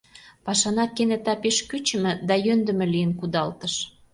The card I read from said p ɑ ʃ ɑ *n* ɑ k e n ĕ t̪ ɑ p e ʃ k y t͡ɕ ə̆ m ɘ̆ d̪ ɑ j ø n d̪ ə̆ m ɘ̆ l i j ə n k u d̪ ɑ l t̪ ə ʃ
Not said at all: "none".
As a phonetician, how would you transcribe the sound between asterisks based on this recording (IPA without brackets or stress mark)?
n